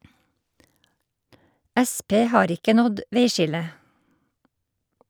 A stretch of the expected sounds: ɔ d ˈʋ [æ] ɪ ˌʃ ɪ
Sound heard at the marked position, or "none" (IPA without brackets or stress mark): e